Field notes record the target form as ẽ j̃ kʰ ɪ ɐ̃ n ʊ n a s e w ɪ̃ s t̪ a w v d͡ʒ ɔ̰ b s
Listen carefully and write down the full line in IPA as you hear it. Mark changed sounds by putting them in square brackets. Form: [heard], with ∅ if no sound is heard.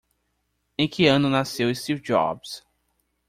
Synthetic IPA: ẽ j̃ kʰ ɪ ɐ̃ n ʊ n a s e w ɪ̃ s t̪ [i] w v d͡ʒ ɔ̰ b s